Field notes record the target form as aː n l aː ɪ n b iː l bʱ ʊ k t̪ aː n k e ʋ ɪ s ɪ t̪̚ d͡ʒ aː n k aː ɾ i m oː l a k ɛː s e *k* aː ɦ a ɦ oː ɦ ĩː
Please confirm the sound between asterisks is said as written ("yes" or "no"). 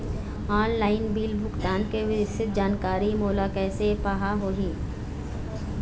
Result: no